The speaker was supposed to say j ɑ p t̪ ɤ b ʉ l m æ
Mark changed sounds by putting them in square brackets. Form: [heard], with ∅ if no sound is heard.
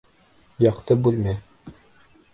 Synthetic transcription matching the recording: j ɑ [q] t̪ ɤ b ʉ l m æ